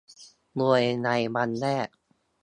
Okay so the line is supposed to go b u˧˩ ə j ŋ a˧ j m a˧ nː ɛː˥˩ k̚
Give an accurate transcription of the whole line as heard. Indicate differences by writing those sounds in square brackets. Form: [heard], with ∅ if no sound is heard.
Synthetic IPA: [m] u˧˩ ə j [n] a˧ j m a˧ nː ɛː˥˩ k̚